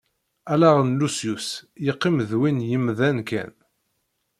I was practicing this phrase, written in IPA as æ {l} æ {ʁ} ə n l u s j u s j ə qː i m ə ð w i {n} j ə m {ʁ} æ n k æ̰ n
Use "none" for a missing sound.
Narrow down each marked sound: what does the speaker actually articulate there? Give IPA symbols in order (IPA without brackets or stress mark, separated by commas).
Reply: l, ʁ, n, ð